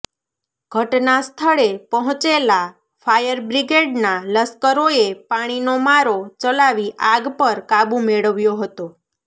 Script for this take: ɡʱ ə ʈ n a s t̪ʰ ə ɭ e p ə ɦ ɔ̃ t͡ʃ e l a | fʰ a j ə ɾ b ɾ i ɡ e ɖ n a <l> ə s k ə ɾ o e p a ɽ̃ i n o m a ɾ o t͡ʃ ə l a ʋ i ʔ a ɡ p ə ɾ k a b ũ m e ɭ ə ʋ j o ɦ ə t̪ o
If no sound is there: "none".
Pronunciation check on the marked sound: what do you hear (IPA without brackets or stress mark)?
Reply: l